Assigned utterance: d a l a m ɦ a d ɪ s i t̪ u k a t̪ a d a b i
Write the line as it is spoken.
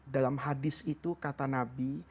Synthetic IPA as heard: d a l a m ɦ a d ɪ s i t̪ u k a t̪ a n a b i